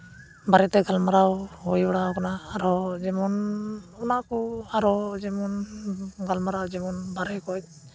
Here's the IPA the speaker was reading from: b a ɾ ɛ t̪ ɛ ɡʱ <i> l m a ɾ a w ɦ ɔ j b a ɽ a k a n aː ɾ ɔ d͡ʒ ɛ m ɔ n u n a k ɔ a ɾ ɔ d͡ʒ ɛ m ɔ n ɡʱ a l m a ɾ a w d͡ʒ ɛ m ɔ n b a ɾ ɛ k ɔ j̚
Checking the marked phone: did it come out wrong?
yes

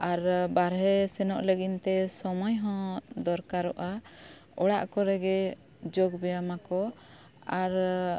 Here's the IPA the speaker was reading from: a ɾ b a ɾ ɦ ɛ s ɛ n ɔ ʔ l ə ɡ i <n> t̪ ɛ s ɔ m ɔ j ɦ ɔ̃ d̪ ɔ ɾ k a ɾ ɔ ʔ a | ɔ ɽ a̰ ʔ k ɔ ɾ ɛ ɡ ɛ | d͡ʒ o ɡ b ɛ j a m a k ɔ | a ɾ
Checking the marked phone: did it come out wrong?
no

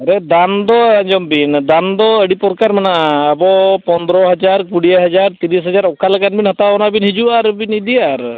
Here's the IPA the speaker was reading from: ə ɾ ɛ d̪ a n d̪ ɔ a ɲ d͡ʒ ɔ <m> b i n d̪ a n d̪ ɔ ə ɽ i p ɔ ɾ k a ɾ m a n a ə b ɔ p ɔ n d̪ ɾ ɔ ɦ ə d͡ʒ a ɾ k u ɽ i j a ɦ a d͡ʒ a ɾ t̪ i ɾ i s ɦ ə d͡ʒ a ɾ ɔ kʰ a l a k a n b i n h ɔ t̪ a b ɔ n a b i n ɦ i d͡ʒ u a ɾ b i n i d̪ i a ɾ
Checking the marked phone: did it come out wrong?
no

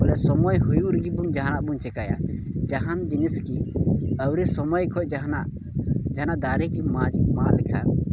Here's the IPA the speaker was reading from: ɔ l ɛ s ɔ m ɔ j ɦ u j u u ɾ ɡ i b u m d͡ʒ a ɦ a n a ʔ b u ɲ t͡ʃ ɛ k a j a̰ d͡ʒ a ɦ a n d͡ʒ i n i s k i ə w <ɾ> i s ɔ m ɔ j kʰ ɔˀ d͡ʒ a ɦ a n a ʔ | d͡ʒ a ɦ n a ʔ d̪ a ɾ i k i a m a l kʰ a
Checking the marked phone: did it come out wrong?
no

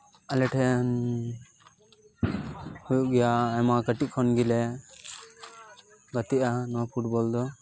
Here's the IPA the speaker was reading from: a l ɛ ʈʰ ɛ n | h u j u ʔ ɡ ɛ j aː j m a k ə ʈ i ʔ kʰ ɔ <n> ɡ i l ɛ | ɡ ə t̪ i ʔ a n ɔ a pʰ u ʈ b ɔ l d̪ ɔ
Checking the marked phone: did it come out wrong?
no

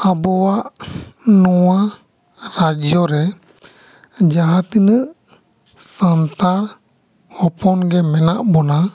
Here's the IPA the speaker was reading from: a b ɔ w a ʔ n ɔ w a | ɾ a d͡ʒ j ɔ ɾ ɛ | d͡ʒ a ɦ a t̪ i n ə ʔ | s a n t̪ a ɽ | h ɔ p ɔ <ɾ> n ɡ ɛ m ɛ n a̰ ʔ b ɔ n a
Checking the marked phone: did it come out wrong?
yes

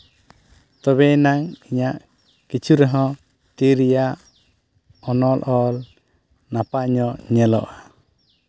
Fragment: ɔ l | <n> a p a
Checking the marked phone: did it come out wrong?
no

